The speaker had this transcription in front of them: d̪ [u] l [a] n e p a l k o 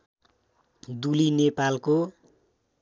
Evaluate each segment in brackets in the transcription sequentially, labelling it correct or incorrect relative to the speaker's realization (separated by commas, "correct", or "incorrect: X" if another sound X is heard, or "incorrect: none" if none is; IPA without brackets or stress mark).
correct, incorrect: i